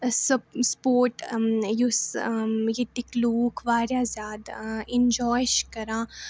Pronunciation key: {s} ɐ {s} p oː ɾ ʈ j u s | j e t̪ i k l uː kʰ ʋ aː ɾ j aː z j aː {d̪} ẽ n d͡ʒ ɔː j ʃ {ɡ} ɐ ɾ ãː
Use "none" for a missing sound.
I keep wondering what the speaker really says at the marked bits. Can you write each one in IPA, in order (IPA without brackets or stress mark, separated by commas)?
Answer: s, s, d̪, k